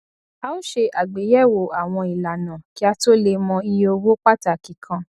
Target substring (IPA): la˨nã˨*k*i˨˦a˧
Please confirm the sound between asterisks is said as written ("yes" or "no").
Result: yes